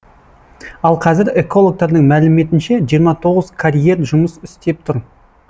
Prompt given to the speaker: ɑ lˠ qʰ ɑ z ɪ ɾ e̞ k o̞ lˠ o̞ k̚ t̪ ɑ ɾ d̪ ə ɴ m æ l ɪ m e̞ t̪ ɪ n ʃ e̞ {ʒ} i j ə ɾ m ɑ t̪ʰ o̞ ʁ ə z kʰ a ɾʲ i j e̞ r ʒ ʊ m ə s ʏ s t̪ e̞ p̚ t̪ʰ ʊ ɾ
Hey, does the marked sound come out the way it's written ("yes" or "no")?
yes